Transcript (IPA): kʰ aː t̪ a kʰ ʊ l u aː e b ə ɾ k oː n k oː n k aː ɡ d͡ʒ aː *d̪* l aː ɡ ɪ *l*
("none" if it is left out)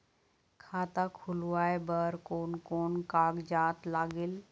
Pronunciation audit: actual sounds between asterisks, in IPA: t̪, l

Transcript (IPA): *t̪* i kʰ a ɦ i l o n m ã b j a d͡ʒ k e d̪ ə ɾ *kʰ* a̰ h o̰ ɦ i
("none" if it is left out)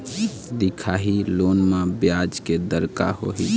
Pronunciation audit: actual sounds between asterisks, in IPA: d̪, k

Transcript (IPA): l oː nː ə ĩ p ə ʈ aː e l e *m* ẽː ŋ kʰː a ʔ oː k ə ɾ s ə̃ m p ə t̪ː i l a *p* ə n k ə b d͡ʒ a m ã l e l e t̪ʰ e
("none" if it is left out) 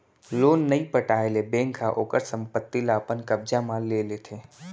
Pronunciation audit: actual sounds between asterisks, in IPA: b, p

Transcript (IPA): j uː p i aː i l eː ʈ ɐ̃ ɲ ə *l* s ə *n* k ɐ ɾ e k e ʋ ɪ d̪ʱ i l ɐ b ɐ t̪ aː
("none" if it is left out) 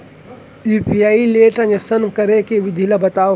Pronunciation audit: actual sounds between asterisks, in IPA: none, n

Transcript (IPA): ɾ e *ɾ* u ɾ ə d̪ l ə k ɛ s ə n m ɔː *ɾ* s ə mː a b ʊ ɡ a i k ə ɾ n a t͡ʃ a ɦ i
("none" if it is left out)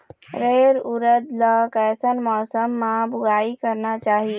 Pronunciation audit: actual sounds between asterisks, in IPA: ɾ, none

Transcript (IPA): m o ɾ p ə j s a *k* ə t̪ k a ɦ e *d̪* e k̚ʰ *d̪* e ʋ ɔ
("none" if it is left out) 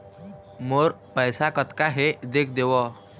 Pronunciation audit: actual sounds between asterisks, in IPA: k, d̪, d̪

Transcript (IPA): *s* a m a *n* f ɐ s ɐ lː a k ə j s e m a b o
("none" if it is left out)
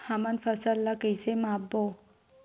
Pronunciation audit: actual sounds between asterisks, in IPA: h, n

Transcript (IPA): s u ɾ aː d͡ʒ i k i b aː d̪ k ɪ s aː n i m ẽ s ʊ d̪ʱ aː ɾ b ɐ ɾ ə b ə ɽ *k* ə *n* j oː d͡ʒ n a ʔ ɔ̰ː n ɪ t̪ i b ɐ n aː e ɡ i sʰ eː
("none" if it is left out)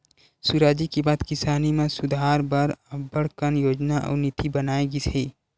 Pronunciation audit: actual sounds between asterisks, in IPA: k, n

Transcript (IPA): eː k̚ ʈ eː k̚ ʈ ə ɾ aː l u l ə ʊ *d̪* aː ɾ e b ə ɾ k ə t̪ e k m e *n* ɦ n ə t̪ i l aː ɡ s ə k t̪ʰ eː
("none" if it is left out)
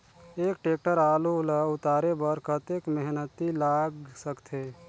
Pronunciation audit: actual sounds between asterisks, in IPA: t̪, none

